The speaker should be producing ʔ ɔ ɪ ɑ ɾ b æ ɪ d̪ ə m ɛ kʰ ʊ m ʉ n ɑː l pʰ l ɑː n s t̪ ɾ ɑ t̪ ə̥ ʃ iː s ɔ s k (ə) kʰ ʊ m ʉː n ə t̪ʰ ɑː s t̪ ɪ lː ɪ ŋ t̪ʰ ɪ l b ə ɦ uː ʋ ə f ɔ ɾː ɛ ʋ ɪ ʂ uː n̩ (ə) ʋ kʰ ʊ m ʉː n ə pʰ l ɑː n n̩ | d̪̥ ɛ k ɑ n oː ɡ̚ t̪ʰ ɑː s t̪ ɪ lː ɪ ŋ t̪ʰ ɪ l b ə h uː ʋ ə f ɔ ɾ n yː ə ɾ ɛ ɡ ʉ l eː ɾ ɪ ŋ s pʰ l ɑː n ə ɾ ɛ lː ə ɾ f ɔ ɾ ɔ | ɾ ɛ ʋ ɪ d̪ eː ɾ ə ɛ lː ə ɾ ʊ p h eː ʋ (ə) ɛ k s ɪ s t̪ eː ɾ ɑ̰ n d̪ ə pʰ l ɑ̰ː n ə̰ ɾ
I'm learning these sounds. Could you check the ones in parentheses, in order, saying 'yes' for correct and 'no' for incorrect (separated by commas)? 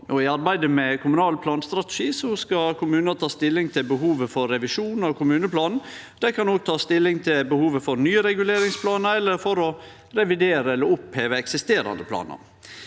no, no, yes